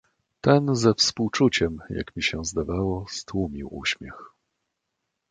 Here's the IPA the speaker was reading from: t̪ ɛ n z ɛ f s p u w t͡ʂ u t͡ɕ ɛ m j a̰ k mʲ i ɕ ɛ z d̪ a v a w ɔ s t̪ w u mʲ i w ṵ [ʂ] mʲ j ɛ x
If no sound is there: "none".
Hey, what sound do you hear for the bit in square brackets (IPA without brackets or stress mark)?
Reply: ɕ